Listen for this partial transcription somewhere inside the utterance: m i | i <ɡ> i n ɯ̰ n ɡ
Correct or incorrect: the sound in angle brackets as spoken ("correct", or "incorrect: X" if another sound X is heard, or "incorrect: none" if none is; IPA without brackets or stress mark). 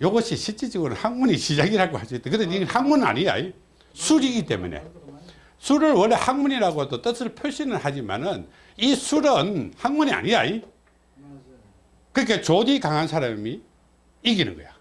correct